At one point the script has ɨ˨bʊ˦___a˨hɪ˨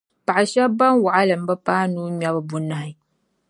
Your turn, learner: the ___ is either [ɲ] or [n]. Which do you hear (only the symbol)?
n